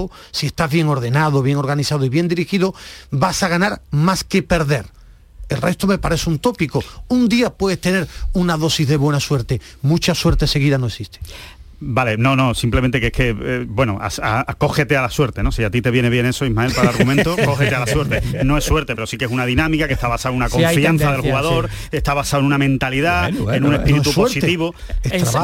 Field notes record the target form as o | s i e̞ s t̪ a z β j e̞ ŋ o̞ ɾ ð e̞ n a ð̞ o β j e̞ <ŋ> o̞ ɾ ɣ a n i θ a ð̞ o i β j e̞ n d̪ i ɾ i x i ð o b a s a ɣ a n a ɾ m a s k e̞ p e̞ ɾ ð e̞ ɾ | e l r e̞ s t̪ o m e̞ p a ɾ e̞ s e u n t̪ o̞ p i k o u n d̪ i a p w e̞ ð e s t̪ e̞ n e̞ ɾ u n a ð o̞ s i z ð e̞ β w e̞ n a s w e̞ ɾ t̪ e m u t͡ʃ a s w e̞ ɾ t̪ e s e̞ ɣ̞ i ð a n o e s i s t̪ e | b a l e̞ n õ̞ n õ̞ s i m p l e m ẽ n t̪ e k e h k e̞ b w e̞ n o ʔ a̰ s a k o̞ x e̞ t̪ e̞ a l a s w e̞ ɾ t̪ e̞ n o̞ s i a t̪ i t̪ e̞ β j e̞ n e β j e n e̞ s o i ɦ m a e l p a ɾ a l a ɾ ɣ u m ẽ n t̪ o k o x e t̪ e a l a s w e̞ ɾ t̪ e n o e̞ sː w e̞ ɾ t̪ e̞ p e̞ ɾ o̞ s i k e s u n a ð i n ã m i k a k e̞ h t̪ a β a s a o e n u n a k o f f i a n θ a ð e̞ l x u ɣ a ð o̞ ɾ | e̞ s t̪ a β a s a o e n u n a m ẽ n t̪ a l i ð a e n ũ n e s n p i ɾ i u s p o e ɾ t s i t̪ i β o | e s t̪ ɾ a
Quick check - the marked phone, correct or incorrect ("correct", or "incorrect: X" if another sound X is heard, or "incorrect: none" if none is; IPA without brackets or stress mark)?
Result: correct